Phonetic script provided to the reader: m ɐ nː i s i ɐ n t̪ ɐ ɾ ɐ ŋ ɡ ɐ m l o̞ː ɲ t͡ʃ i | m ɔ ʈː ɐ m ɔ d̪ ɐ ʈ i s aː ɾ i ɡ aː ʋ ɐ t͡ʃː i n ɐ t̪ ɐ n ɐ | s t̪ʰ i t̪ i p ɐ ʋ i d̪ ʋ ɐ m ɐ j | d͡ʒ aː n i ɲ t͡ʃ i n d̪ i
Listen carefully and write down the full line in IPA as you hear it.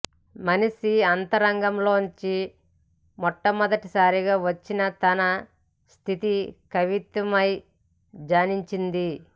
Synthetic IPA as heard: m ɐ n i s i ɐ n t̪ ɐ ɾ ɐ ŋ ɡ ɐ m l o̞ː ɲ t͡ʃ i | m ɔ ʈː ɐ m ɔ d̪ ɐ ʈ i s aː ɾ i ɡ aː ʋ ɐ t͡ʃː i n ɐ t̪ ɐ n ɐ | s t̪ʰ i t̪ i k ɐ ʋ i t̪ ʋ ɐ m ɐ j | d͡ʒ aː n i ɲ t͡ʃ i n d̪ i